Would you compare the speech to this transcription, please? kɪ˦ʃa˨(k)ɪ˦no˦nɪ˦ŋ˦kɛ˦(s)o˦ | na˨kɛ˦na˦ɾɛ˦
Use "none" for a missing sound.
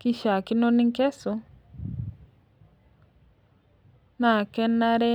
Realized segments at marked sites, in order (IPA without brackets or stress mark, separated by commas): k, s